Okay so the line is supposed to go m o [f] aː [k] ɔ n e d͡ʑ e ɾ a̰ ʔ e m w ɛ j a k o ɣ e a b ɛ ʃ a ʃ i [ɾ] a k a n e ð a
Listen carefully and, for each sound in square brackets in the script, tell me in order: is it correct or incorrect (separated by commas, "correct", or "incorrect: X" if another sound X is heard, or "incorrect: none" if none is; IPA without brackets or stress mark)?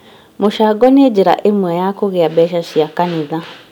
incorrect: ʃ, incorrect: ɡ, incorrect: none